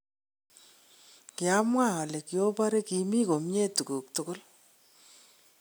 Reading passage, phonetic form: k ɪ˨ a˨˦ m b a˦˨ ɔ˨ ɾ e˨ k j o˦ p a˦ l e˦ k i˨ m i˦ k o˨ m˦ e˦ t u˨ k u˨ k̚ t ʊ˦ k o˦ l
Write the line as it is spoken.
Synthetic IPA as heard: k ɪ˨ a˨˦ m w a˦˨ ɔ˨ l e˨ k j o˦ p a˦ ɾ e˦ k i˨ m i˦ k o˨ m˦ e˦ t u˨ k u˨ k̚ t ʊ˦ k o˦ l